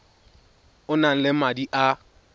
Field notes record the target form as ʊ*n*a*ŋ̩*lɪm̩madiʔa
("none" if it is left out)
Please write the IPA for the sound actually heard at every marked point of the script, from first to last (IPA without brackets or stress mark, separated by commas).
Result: n, n̩